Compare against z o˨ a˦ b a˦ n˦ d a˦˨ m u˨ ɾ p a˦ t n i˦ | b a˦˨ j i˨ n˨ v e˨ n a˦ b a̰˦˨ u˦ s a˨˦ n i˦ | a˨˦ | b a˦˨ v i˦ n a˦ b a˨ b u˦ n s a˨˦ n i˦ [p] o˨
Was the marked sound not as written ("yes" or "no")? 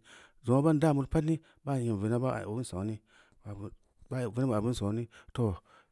yes